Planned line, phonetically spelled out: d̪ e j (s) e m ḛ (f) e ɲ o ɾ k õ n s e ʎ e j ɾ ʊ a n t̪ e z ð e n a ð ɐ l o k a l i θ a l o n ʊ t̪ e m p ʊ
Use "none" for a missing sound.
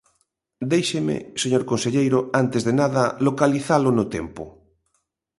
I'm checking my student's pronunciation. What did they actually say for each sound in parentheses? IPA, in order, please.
ʃ, s

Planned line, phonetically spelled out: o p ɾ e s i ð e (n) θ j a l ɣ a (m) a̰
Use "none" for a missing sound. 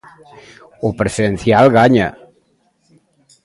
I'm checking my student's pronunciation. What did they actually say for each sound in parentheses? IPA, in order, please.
n, ɲ

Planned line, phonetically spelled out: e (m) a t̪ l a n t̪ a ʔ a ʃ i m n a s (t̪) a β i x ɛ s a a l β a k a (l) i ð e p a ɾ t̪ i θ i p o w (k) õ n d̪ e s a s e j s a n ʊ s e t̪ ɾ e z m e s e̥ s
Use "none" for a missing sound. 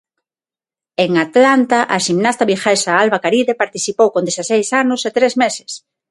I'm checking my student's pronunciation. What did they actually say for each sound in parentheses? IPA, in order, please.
ŋ, t̪, ɾ, k

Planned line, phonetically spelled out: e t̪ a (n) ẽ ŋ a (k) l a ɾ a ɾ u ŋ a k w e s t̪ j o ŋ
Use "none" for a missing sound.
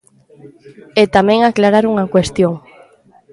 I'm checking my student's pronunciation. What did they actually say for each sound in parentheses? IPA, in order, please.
m, k

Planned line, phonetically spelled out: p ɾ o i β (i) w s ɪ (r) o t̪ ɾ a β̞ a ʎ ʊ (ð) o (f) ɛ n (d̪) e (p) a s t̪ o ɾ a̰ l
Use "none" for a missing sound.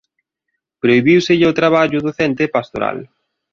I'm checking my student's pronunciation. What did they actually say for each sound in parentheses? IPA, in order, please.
i, ʎ, ð, θ, t̪, p

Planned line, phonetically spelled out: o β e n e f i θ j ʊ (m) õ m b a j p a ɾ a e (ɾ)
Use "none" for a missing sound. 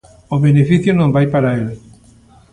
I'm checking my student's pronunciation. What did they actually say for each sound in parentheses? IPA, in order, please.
n, l

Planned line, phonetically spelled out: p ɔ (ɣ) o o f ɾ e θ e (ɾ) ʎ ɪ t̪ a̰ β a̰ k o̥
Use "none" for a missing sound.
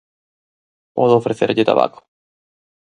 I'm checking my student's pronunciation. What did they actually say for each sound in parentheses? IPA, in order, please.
ð, ɾ

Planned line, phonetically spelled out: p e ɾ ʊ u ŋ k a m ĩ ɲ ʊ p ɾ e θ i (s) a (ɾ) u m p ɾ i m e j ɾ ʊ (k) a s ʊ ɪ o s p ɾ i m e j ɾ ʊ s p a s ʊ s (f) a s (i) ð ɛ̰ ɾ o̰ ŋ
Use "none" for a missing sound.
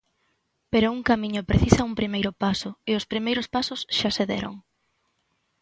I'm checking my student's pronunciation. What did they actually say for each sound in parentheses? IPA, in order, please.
s, none, p, ʃ, e

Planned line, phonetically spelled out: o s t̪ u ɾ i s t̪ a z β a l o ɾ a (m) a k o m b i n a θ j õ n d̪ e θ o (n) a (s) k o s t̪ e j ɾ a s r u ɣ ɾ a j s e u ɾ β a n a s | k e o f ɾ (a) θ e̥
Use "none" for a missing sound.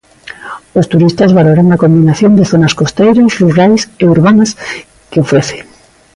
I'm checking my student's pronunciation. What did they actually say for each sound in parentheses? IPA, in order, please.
ŋ, n, s, e

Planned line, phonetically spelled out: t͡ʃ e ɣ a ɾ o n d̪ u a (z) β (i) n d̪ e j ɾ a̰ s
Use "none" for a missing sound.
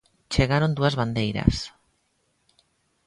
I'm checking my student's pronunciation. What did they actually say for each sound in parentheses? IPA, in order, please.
z, a

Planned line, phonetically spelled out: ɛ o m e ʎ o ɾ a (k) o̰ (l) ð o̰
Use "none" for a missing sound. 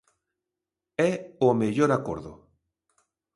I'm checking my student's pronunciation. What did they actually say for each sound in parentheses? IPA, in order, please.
k, ɾ

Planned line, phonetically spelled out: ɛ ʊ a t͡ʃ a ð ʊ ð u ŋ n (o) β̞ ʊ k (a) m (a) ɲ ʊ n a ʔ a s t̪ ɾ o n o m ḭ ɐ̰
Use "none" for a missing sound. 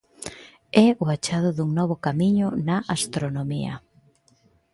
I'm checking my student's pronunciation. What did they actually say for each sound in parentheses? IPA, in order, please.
ɔ, a, i

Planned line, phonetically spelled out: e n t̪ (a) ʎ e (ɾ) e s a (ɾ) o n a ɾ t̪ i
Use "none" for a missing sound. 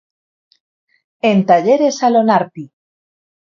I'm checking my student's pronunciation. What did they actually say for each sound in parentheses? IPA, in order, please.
a, ɾ, l

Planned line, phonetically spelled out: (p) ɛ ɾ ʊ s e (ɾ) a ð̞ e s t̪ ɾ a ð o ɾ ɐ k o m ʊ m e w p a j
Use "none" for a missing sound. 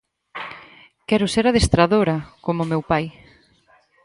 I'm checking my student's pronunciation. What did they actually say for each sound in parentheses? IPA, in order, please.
k, ɾ

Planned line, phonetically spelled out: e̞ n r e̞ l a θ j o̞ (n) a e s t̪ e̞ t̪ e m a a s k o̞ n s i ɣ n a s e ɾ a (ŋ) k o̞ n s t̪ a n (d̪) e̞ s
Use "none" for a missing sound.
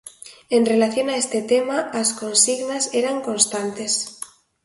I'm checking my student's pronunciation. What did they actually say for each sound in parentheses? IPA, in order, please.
n, ŋ, t̪

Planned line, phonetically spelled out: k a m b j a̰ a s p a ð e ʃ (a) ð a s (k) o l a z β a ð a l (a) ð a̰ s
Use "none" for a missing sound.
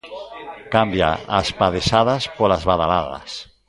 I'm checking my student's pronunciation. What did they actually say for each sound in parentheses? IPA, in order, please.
a, p, a

